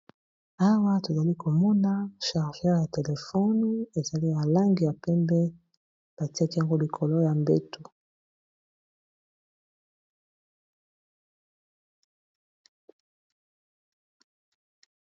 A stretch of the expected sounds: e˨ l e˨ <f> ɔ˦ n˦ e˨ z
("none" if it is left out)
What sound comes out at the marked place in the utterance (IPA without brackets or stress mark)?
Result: f